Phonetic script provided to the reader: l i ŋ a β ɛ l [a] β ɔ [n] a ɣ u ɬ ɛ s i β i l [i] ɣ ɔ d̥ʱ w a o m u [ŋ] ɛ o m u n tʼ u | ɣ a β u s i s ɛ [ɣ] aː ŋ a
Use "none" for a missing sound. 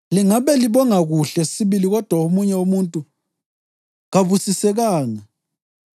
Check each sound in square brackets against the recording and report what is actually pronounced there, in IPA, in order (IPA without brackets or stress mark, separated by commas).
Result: i, ŋ, i, ɲ, ɣ